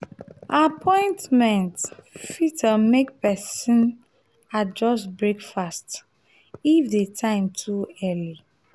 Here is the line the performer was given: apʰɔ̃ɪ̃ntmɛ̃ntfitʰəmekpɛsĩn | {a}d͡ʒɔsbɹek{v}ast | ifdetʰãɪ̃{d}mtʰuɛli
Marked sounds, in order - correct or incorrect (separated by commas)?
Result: correct, incorrect, incorrect